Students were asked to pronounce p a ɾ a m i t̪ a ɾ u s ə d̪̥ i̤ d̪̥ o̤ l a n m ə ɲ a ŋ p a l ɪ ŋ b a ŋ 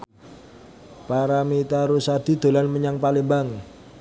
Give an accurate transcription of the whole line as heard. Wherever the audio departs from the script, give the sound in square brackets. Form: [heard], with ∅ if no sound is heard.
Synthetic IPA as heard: p a ɾ a m i t̪ a ɾ u s [a] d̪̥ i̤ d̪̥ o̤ l a n m ə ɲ a ŋ p a l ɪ [m] b a ŋ